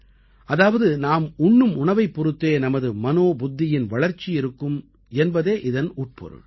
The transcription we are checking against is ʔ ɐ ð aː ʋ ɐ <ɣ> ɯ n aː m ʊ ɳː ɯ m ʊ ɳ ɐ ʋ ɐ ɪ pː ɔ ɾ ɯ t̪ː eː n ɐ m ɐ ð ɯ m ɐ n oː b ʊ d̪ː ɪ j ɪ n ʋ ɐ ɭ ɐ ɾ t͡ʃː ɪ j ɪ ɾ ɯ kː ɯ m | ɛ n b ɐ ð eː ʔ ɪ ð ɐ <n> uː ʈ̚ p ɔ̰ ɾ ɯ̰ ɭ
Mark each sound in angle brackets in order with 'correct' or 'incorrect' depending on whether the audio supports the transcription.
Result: incorrect: ð, correct

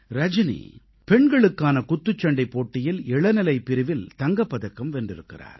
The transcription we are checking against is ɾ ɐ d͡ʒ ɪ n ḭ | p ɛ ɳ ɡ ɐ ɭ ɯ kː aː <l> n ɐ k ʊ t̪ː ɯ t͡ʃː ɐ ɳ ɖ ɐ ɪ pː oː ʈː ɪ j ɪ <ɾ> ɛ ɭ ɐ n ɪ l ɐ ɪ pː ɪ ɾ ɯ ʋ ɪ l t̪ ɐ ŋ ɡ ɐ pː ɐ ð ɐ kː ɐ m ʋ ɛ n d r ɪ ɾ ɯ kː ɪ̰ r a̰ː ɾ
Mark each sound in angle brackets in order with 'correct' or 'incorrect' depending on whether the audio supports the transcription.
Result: incorrect: none, incorrect: l

